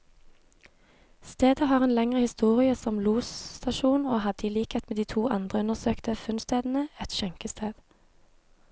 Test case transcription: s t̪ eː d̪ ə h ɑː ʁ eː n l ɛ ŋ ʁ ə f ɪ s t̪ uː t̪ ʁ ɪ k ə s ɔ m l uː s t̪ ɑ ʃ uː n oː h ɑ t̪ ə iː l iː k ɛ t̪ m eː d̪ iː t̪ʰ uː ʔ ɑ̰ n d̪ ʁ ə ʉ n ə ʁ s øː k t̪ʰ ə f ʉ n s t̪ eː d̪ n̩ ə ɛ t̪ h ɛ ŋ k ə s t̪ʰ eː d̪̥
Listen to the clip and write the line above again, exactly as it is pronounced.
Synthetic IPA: s t̪ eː d̪ ə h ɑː ʁ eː n l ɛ ŋ ʁ ə h ɪ s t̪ uː ʁ ɪ ə s ɔ m l uː s t̪ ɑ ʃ uː n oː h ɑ d̪ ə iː l iː k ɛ t̪ m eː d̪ iː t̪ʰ uː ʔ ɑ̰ n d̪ ʁ ə ʉ n ə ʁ s øː k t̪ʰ ə f ʉ n s t̪ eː d̪ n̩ ə ɛ t̪ ʃ ɛ ŋ k ə s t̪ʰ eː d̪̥